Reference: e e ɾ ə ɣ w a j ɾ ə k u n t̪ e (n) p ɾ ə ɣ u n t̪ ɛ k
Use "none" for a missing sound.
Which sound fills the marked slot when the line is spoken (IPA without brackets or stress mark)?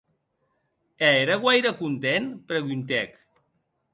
n